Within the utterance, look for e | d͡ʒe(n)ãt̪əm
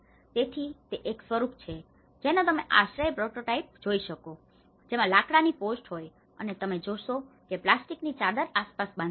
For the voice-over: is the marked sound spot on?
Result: yes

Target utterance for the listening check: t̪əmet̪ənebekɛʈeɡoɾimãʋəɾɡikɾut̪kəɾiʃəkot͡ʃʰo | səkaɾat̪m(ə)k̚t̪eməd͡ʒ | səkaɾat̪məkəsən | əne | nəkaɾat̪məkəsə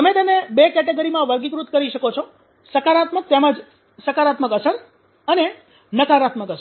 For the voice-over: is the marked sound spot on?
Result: yes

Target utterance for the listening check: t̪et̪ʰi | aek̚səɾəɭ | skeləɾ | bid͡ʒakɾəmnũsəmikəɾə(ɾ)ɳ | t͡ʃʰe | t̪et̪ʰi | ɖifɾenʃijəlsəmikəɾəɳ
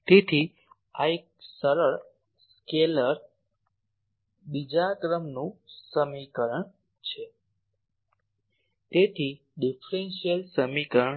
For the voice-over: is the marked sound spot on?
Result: no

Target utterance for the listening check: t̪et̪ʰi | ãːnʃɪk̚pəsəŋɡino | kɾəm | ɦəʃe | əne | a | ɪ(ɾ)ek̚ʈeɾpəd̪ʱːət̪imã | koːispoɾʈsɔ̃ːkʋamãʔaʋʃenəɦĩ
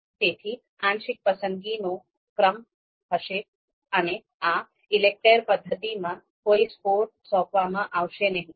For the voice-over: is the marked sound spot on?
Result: no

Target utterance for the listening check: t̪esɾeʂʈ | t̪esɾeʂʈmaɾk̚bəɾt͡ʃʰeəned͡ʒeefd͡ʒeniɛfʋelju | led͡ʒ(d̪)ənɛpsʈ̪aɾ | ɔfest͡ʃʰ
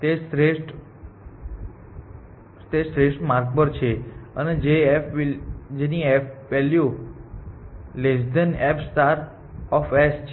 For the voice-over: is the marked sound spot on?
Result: yes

